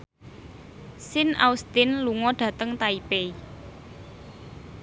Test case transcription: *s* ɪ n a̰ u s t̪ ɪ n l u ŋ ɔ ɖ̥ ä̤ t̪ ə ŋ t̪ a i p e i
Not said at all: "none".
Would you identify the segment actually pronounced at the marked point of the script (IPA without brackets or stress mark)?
s